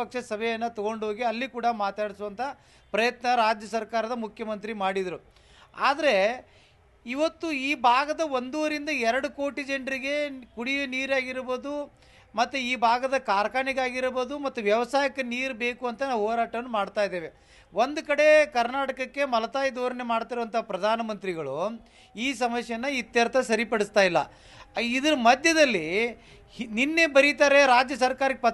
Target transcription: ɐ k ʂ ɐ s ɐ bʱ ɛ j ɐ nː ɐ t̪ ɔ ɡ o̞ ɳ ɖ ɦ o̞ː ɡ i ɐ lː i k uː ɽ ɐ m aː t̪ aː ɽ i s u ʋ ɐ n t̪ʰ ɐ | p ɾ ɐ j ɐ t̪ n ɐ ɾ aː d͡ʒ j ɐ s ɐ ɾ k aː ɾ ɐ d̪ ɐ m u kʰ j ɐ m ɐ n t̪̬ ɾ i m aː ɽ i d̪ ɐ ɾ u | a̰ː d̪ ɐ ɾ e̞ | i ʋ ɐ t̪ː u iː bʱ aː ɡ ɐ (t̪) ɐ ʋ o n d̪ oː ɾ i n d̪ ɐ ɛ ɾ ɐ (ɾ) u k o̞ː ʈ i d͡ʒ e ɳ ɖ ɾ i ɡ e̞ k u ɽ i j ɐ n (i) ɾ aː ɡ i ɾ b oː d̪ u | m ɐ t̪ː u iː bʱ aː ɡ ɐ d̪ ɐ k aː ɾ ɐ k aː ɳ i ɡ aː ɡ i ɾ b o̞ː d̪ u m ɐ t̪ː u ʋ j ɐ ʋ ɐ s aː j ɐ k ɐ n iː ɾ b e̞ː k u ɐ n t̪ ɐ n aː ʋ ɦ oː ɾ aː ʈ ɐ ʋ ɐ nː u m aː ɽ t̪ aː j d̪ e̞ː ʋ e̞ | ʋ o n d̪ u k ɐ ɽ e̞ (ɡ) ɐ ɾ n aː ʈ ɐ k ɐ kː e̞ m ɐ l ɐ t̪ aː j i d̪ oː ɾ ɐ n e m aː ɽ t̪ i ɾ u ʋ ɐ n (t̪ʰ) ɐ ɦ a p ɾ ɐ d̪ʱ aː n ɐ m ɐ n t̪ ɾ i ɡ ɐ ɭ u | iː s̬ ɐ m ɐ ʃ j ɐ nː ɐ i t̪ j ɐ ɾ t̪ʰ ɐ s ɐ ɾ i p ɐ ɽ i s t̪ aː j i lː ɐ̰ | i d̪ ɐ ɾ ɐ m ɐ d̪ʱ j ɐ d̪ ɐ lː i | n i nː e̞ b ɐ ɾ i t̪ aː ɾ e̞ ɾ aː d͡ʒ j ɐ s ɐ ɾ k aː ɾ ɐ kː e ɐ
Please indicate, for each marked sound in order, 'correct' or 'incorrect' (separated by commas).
incorrect, incorrect, incorrect, incorrect, incorrect